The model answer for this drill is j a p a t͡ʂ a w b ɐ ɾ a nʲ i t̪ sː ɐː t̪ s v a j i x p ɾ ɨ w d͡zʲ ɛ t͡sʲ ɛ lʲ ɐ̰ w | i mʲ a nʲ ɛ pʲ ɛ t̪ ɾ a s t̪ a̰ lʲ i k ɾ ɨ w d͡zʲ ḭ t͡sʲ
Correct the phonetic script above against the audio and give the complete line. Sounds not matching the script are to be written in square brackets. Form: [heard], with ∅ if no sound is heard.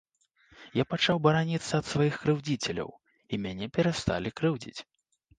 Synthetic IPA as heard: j a p a t͡ʂ a w b ɐ ɾ a nʲ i t̪ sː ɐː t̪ s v a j i x [k] ɾ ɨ w d͡zʲ [i] t͡sʲ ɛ lʲ ɐ̰ w | i mʲ a nʲ ɛ pʲ ɛ [∅] ɾ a s t̪ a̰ lʲ i k ɾ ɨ w d͡zʲ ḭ t͡sʲ